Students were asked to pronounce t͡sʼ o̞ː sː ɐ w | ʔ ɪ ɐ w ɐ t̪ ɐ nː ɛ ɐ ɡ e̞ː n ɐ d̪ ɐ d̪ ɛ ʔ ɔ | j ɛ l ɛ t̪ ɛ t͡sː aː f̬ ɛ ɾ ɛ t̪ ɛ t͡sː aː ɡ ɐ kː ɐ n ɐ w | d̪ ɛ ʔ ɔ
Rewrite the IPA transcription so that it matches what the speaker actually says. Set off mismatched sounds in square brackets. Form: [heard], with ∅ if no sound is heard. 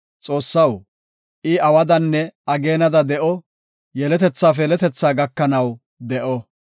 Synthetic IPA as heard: t͡sʼ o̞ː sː ɐ w | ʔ ɪ ɐ w ɐ [d̪] ɐ nː ɛ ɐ ɡ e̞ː n ɐ d̪ ɐ d̪ ɛ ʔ ɔ | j ɛ l ɛ t̪ ɛ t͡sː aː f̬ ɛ [l] ɛ t̪ ɛ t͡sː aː ɡ ɐ kː ɐ n ɐ w | d̪ ɛ ʔ ɔ